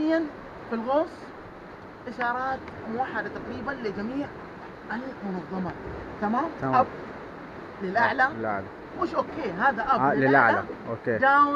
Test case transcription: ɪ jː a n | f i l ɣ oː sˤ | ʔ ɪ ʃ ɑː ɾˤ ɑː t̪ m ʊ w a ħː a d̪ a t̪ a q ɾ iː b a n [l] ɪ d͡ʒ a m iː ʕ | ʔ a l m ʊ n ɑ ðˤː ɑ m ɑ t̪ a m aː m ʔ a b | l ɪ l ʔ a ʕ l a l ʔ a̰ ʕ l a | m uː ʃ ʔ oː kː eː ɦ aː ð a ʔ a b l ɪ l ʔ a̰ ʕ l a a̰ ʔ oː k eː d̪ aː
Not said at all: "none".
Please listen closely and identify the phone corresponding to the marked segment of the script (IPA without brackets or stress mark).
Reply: l